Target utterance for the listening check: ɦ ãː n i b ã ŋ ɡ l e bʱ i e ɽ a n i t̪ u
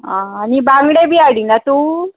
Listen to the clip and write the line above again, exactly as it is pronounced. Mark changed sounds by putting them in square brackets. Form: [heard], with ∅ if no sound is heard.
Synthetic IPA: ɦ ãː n i b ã ŋ ɡ [ɽ] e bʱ i [a] ɽ [i] n [a] t̪ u